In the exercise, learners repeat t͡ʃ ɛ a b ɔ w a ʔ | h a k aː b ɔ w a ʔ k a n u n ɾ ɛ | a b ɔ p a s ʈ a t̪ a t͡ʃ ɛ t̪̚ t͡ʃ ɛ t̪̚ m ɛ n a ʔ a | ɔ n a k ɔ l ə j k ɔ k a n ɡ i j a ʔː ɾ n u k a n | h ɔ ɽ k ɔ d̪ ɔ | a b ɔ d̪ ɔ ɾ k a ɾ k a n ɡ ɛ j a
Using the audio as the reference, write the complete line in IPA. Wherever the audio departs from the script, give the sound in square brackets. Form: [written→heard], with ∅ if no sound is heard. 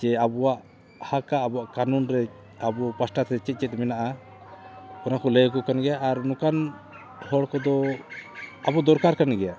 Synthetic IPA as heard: t͡ʃ ɛ a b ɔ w a ʔ | h a k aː b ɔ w a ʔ k a n u n ɾ ɛ | a b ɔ p a s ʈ a t̪ [a→ɛ] t͡ʃ ɛ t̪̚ t͡ʃ ɛ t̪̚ m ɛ n a ʔ a | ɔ n a k ɔ l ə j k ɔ k a n ɡ [i→ɛ] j a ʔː ɾ n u k a n | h ɔ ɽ k ɔ d̪ ɔ | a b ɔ d̪ ɔ ɾ k a ɾ k a n ɡ ɛ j a